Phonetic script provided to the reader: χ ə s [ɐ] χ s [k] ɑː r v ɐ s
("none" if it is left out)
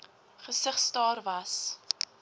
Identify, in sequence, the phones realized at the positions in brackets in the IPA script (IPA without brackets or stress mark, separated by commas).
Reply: ə, t